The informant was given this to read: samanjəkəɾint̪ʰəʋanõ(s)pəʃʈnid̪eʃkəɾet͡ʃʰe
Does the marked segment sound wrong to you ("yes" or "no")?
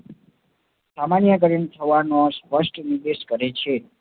no